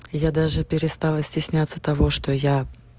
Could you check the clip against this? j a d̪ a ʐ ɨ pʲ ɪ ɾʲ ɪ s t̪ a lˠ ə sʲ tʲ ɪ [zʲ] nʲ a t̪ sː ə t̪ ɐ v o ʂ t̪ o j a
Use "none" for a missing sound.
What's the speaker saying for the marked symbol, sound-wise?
sʲ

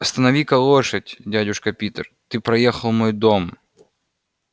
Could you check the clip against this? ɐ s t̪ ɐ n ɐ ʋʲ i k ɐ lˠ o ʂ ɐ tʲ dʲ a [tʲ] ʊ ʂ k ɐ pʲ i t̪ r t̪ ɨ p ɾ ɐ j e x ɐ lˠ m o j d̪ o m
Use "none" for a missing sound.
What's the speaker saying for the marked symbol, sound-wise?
dʲ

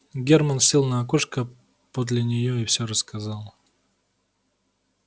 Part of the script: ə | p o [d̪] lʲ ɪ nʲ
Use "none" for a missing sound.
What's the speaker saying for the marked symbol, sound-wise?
d̪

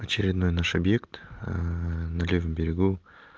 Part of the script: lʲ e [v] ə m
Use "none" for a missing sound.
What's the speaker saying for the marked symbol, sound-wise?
v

